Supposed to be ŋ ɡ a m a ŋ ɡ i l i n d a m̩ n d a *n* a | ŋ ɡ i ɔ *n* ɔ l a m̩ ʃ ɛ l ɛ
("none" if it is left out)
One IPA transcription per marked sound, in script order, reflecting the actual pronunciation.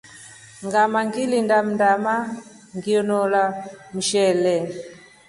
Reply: m, n

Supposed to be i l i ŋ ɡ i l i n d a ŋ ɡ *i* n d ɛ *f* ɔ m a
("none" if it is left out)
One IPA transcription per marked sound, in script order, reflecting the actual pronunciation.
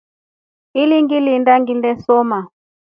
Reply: i, s

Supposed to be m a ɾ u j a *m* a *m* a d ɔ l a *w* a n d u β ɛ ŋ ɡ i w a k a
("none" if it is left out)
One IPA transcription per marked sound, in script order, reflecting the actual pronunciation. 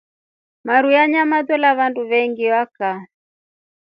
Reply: ɲ, m, β

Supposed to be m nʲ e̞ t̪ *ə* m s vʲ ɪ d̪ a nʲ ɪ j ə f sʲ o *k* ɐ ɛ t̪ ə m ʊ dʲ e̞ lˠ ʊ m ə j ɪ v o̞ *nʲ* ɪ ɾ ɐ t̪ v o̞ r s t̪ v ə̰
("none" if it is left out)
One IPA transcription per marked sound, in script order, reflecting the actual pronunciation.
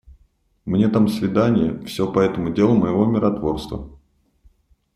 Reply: a, p, mʲ

